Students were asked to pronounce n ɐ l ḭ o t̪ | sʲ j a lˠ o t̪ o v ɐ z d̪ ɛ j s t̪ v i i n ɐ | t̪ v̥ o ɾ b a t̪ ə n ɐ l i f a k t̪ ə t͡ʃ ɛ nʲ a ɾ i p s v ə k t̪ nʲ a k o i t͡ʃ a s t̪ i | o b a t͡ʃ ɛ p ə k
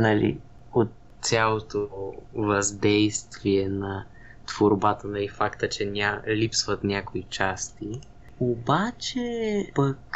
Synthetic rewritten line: n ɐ l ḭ o t̪ | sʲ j a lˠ o t̪ o v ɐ z d̪ ɛ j s t̪ v i ɛ n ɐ | t̪ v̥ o ɾ b a t̪ ə n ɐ l i f a k t̪ ə t͡ʃ ɛ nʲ a l i p s v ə t̪ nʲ a k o i t͡ʃ a s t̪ i | o b a t͡ʃ ɛ p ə k